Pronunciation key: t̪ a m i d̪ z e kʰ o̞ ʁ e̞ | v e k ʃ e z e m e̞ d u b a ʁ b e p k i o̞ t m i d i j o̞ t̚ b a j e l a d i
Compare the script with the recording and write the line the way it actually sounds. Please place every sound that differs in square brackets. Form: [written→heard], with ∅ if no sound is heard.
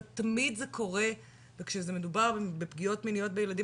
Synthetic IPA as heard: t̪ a m i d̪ z e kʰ o̞ ʁ e̞ | v e k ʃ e z e m e̞ d u b a ʁ b e p [k→ɡ] i o̞ t m i [d→n] i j o̞ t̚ b [a→e] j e l a d i